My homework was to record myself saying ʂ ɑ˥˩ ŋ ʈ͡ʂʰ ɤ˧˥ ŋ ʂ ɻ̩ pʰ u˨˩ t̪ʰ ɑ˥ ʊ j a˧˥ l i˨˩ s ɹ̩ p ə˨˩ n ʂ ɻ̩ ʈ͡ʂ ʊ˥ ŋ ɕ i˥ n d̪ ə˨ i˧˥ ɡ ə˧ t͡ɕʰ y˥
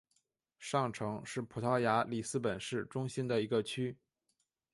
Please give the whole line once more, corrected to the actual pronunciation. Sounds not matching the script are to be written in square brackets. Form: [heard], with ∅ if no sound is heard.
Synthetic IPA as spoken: ʂ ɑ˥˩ ŋ ʈ͡ʂʰ ɤ˧˥ ŋ ʂ ɻ̩ pʰ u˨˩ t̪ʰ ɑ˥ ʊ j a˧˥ l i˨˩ s ɹ̩ p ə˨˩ n ʂ ɻ̩ ʈ͡ʂ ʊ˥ ŋ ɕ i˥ n d̪ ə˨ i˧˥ ɡ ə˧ t͡ɕʰ y˥